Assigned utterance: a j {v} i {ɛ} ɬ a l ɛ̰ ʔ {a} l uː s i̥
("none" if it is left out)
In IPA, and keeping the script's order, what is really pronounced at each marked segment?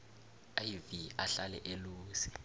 v, a, e

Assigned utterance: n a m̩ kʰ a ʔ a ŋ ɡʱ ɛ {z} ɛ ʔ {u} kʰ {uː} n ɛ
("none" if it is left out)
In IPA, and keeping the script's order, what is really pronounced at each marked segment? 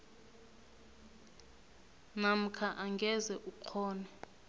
z, u, ɔː

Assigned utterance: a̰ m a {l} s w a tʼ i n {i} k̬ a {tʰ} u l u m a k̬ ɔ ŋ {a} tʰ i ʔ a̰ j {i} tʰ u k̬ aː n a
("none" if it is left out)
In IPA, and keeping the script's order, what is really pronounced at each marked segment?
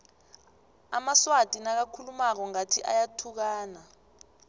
none, a, kʰ, a, a

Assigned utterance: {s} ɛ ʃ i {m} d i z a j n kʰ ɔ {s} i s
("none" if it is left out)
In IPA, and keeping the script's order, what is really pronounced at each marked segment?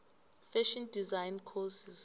f, n, s

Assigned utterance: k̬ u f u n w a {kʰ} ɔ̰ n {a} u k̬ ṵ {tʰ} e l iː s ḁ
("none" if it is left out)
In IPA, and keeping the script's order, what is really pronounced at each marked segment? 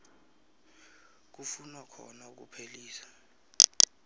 kʰ, a, pʰ

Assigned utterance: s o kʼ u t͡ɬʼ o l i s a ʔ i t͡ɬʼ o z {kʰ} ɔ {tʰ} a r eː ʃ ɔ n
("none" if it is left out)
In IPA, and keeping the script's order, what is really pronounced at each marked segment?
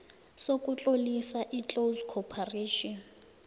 kʰ, pʰ

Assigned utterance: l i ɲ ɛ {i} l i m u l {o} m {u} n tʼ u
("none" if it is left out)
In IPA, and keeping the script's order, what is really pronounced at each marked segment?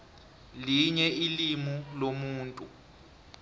i, o, uː

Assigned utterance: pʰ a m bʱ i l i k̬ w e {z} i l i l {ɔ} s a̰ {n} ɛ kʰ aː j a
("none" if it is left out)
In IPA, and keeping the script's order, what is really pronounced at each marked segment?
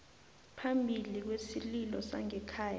s, ɔ, ŋ

